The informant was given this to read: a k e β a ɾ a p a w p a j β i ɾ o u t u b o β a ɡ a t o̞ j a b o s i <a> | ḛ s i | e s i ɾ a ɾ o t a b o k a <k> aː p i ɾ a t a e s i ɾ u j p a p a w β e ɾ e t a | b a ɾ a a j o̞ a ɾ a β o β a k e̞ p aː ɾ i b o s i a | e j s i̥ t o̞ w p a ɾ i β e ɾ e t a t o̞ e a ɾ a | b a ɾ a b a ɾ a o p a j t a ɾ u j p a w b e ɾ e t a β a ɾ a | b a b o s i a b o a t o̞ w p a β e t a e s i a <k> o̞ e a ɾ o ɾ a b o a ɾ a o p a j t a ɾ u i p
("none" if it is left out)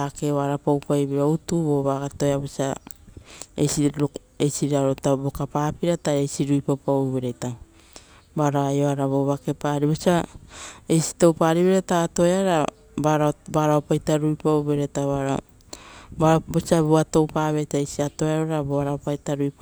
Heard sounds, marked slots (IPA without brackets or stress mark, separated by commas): a, p, t